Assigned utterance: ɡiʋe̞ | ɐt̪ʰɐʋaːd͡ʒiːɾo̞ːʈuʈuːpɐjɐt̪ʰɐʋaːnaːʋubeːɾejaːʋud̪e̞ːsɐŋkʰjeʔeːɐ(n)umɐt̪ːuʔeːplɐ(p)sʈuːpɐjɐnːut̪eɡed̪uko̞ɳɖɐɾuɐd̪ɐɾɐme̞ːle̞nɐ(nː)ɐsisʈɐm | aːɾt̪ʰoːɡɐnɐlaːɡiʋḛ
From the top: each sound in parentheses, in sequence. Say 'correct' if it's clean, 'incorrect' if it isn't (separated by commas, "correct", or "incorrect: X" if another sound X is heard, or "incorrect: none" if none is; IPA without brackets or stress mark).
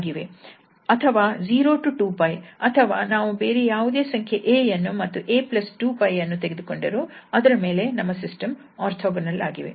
incorrect: nː, incorrect: none, incorrect: mː